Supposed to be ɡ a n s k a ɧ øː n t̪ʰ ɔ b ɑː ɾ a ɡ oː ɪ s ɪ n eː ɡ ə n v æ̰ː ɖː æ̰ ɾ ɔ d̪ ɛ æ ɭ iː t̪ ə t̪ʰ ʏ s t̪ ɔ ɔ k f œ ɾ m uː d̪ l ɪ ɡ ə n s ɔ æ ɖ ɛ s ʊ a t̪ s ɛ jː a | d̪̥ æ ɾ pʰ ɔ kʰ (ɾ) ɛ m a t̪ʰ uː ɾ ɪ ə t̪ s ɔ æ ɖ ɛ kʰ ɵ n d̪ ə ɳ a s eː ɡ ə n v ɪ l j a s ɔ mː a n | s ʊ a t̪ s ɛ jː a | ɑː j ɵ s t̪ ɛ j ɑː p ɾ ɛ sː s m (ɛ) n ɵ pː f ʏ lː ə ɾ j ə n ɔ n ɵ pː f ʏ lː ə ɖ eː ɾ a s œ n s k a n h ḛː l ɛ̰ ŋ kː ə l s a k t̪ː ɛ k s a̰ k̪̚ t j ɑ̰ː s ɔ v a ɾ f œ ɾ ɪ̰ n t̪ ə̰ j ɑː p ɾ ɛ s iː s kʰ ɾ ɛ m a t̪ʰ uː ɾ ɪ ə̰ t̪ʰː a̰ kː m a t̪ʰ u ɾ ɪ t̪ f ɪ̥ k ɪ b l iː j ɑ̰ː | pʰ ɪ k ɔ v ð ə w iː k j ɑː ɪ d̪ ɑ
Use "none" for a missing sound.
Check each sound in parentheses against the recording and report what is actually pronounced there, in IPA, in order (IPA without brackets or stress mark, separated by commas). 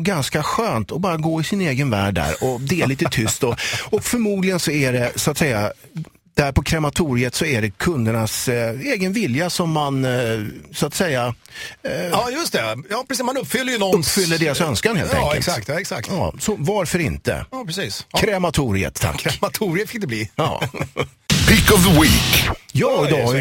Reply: ɾ, a